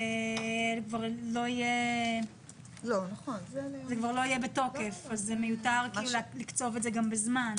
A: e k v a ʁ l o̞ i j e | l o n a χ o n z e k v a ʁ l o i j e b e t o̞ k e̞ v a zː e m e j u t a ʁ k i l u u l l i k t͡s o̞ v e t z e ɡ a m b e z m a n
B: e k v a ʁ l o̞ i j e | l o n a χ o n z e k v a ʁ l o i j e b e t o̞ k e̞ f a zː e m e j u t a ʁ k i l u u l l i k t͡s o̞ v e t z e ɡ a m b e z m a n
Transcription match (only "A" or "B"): B